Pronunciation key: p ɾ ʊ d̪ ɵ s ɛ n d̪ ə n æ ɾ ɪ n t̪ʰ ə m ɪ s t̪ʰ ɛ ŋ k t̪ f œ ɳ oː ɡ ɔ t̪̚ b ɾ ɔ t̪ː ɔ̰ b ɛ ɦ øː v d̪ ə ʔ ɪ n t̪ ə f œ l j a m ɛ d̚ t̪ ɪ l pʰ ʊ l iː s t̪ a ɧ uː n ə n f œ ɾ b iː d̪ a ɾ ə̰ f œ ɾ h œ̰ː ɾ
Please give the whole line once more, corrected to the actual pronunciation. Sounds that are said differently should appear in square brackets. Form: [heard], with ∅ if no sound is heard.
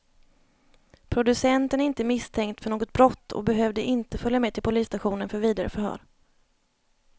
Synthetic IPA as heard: [pʰ] ɾ ʊ d̪ ɵ s ɛ n [t̪] ə n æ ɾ ɪ n [t̪] ə m ɪ s t̪ʰ ɛ ŋ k t̪ f œ ɳ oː ɡ ɔ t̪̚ b ɾ ɔ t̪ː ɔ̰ b ɛ ɦ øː v d̪ ə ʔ ɪ n t̪ ə f œ l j a m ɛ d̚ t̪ ɪ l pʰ ʊ l iː s t̪ a ɧ uː n ə n f œ ɾ [v] iː d̪ a ɾ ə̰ f œ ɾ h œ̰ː ɾ